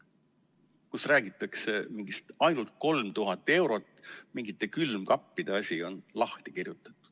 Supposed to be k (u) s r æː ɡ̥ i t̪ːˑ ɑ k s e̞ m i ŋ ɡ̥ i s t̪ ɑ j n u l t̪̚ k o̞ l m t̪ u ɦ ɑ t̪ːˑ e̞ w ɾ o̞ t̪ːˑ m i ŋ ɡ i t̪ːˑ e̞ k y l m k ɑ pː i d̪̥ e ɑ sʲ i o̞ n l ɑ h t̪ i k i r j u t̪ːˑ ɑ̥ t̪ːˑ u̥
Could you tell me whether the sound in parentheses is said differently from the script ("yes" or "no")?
no